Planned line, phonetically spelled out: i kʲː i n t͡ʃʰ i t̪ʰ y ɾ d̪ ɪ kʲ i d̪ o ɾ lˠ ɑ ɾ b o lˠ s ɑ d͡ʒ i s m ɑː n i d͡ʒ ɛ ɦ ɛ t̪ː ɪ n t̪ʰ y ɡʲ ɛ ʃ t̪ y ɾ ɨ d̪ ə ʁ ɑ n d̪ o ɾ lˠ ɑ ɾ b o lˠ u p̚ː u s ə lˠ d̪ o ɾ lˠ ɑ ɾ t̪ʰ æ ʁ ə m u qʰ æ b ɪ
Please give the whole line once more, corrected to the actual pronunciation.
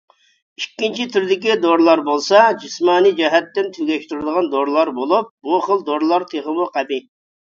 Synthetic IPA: i kʲː i n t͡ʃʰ i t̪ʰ y ɾ d̪ ɪ kʲ i d̪ o ɾ lˠ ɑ ɾ b o lˠ s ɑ d͡ʒ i s m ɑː n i d͡ʒ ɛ ɦ ɛ t̪ː ɪ n t̪ʰ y ɡʲ ɛ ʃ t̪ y ɾ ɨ d̪ ə ʁ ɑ n d̪ o ɾ lˠ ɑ ɾ b o lˠ u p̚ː u χ ə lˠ d̪ o ɾ lˠ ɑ ɾ t̪ʰ e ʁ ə m u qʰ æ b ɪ